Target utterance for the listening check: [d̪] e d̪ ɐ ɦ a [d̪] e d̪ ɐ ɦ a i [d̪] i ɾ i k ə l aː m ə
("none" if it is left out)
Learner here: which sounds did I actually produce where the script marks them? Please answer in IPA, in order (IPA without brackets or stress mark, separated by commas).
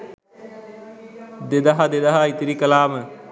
d̪, d̪, t̪